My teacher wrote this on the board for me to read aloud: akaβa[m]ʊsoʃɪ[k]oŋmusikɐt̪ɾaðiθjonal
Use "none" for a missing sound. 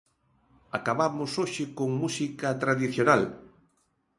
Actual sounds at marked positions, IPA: m, k

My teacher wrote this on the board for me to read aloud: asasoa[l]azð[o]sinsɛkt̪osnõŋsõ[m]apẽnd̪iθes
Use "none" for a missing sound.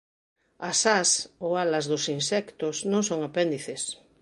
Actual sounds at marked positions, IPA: l, o, ŋ

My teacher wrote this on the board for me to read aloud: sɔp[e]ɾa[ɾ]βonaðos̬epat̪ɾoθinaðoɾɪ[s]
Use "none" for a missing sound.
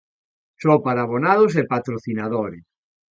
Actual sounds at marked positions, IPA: a, none, s

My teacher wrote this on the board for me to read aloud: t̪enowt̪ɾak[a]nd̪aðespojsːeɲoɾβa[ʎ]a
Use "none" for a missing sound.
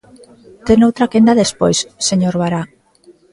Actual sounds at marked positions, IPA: e, ɾ

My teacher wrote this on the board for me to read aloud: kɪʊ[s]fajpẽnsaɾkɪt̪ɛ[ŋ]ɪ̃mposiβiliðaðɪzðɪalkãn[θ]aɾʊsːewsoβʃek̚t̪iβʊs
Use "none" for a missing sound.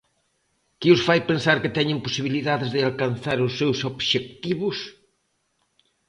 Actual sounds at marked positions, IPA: s, ɲ, θ

